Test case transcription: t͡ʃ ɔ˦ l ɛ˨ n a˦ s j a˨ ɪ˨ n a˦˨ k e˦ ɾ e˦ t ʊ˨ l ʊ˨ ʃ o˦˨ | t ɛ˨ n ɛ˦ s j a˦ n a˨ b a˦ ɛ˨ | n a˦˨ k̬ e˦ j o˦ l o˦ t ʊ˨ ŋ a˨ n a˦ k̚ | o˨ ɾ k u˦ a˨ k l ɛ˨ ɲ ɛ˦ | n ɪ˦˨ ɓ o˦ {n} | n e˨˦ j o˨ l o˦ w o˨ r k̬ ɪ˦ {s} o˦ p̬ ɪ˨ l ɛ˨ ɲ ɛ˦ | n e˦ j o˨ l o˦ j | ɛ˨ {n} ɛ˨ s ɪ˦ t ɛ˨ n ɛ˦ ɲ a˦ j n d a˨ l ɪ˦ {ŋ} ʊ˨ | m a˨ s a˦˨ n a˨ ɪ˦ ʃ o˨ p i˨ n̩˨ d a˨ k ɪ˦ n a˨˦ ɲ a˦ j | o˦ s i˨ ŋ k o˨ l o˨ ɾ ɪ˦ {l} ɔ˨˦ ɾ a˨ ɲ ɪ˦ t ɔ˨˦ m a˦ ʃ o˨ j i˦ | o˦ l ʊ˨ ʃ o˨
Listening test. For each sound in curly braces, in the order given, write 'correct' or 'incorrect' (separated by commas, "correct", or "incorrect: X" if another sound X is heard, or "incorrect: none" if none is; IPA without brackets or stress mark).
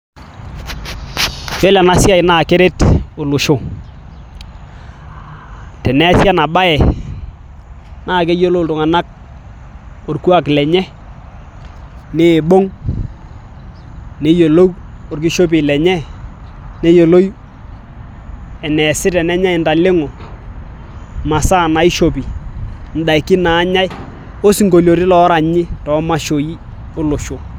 incorrect: ŋ, incorrect: ʃ, correct, correct, correct